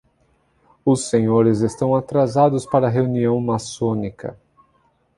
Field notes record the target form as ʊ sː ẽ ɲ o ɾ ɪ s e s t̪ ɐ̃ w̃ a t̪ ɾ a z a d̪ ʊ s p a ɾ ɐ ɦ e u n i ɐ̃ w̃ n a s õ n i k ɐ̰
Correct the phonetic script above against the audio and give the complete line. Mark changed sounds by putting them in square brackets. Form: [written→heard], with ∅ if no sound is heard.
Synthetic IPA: ʊ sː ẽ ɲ o ɾ ɪ [s→z] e s t̪ ɐ̃ w̃ a t̪ ɾ a z a d̪ ʊ s p a ɾ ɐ ɦ e u n i ɐ̃ w̃ [n→m] a s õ n i k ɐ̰